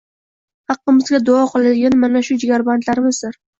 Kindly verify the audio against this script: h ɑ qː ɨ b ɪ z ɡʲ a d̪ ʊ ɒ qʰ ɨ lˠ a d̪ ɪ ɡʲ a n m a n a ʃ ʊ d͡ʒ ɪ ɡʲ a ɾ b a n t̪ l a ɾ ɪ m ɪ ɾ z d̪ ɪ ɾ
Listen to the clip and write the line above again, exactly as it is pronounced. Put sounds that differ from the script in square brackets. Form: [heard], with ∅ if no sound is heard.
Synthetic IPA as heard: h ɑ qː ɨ [m] ɪ z ɡʲ a d̪ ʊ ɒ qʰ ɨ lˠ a d̪ ɪ ɡʲ a n m a n a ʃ ʊ d͡ʒ ɪ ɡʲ a ɾ b a n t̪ l a ɾ ɪ m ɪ [∅] z d̪ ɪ ɾ

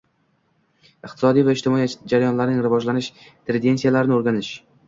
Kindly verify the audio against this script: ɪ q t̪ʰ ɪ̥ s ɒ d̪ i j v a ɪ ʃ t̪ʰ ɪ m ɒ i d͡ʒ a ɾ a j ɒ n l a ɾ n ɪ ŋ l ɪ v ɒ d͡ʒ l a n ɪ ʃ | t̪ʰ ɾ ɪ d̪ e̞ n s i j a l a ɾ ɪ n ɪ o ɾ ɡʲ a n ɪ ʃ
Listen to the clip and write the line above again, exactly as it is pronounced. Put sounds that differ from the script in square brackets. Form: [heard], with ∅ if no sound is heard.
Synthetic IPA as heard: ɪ q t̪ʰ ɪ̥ s ɒ d̪ i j v a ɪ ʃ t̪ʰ ɪ m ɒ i d͡ʒ a ɾ a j ɒ n l a ɾ n ɪ ŋ [ɾ] ɪ v ɒ d͡ʒ l a n ɪ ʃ | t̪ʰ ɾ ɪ d̪ e̞ n s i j a l a ɾ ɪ n ɪ o ɾ ɡʲ a n ɪ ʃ

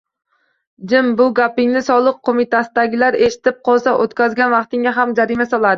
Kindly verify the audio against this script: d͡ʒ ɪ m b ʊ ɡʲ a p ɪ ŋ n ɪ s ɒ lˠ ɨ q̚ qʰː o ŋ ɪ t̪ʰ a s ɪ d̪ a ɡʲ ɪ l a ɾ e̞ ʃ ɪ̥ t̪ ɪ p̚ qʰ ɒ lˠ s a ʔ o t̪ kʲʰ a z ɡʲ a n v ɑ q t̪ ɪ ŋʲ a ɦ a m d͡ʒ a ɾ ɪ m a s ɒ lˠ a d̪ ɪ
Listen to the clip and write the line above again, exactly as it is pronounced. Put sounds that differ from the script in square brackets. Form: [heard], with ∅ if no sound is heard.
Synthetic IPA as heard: d͡ʒ ɪ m b ʊ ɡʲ a p ɪ ŋ n ɪ s ɒ lˠ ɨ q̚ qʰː o [m] ɪ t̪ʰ a s ɪ d̪ a ɡʲ ɪ l a ɾ e̞ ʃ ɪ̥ t̪ ɪ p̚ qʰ ɒ lˠ s a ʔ o t̪ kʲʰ a z ɡʲ a n v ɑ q t̪ ɪ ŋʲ a ɦ a m d͡ʒ a ɾ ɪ m a s ɒ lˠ a d̪ ɪ

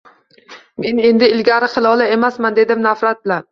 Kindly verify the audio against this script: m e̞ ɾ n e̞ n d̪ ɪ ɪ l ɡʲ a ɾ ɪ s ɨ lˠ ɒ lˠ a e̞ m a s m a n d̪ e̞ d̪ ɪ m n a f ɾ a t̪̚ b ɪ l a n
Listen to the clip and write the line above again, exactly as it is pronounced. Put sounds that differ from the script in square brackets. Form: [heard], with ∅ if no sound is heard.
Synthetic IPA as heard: m e̞ [∅] n e̞ n d̪ ɪ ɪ l ɡʲ a ɾ ɪ [χ] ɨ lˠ ɒ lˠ a e̞ m a s m a n d̪ e̞ d̪ ɪ m n a f ɾ a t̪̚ b ɪ l a n

